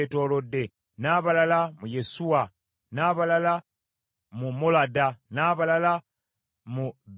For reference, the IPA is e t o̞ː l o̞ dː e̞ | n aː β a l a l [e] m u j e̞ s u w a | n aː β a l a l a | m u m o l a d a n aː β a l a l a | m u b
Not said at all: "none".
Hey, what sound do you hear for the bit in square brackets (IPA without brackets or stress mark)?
a